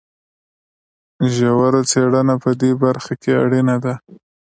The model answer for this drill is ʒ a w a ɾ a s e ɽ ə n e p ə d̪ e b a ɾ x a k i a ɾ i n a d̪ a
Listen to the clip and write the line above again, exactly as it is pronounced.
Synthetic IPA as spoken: ʒ a w a ɾ a t͡s e ɽ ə n a p ə d̪ e b a ɾ x a k e a ɽ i n a d̪ a